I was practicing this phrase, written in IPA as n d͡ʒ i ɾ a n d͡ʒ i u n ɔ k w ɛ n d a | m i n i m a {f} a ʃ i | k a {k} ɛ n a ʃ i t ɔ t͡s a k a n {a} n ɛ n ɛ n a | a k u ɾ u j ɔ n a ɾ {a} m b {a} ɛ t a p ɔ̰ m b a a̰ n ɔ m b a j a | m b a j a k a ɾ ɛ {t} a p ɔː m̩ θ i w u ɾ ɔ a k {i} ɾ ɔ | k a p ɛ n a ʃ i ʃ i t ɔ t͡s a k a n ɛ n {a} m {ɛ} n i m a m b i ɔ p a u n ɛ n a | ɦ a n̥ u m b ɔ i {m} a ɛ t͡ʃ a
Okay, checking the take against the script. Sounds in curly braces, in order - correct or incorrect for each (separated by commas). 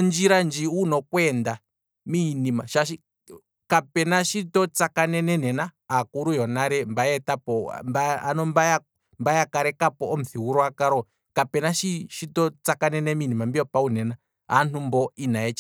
incorrect, incorrect, incorrect, incorrect, correct, incorrect, incorrect, incorrect, incorrect, incorrect